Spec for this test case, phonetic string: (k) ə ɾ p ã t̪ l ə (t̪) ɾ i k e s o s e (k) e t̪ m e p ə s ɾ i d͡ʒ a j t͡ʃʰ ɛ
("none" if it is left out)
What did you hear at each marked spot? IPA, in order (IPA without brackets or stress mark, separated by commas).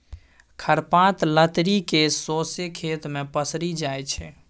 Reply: kʰ, t̪, kʰ